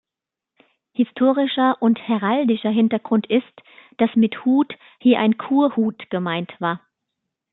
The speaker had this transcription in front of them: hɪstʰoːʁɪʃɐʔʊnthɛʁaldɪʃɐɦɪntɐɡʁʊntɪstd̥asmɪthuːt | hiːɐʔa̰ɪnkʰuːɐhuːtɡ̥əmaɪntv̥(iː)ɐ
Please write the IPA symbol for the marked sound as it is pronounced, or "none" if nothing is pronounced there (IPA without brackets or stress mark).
aː